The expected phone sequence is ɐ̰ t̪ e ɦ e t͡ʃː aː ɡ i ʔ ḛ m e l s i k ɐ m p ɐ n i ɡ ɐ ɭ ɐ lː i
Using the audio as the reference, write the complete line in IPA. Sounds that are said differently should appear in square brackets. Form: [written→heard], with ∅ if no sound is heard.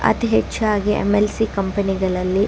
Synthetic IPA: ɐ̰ t̪ [e→i] ɦ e t͡ʃː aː ɡ i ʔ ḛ m e l s i k ɐ m p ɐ n i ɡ ɐ ɭ ɐ lː i